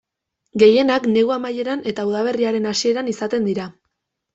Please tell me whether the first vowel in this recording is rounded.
no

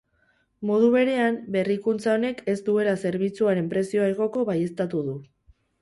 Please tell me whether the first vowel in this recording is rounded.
yes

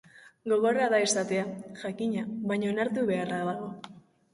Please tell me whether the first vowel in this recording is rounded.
yes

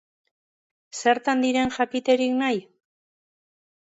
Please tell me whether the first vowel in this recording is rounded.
no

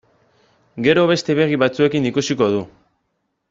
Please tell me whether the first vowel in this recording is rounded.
no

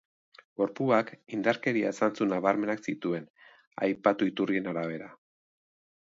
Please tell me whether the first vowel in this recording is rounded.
yes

